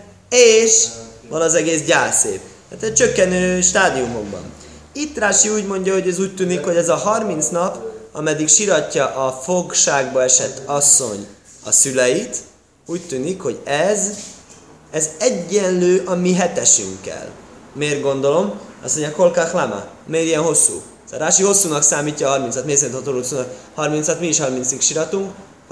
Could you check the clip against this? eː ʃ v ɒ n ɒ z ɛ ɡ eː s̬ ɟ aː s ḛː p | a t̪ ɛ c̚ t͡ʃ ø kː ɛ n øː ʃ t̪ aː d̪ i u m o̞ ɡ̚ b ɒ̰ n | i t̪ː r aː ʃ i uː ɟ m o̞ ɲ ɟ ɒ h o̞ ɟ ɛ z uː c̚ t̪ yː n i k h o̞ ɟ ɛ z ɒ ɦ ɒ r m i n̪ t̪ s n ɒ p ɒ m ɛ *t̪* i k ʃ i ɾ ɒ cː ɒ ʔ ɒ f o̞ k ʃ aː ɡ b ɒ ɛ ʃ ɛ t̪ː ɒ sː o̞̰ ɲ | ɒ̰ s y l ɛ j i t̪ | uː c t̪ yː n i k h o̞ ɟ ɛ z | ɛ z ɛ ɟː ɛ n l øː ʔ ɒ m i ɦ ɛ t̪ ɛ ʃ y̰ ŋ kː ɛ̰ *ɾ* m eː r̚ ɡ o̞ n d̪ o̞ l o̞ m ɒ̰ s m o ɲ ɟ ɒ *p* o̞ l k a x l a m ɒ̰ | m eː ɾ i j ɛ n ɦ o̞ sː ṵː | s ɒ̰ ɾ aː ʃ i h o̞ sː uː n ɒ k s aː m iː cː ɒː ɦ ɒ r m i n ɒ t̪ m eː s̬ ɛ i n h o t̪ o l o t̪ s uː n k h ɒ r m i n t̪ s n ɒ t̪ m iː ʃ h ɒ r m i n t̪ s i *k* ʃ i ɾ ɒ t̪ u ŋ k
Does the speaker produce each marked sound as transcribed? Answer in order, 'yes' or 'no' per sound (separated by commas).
no, no, no, yes